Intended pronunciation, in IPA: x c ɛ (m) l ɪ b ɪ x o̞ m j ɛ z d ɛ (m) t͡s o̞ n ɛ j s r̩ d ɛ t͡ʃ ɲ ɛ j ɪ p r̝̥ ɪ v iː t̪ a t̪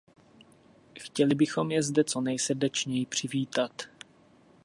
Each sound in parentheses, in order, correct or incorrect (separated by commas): incorrect, incorrect